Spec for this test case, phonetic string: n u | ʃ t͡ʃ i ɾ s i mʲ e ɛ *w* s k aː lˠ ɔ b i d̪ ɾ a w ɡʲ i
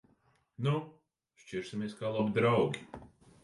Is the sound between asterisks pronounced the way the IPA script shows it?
no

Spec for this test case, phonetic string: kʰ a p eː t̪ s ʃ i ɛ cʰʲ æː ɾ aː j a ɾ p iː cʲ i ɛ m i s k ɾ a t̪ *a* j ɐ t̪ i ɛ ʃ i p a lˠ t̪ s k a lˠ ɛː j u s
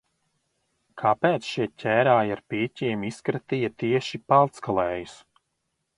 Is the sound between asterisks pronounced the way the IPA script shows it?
no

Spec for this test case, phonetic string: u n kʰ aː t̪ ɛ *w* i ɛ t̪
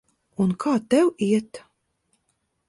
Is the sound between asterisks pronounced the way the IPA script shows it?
yes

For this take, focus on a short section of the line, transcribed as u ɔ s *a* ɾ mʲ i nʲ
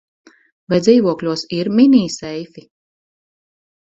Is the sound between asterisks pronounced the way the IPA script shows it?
no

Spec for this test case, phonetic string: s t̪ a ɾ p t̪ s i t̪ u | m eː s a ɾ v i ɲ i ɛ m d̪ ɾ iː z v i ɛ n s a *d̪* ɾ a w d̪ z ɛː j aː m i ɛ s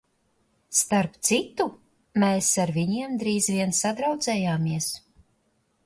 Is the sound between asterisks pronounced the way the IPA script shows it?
yes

